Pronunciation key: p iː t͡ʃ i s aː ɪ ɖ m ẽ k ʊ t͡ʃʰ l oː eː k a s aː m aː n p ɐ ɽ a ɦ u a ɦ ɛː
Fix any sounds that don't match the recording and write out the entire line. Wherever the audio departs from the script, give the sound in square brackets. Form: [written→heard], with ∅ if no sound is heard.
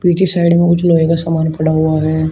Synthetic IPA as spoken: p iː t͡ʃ i s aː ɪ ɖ m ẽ k ʊ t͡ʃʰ l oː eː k a s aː m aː n p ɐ ɽ a ɦ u a ɦ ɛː